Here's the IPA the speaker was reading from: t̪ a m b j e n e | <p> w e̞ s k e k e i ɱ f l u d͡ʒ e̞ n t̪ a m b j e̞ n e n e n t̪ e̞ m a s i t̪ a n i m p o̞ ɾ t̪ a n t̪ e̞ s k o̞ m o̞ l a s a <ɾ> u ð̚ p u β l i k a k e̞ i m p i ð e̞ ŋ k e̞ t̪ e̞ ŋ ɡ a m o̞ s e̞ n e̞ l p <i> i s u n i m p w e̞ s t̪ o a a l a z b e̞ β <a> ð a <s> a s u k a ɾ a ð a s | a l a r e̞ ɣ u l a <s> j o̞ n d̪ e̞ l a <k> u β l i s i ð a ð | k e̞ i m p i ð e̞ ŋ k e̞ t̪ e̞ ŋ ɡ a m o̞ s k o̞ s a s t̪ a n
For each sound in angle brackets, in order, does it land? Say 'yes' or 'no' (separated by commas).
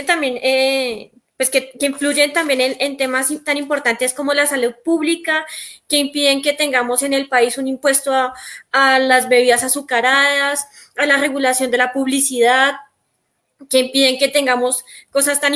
yes, no, no, no, yes, yes, no